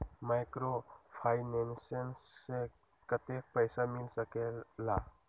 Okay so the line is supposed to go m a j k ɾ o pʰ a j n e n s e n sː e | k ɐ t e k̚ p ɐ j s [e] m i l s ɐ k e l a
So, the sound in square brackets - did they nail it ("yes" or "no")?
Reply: no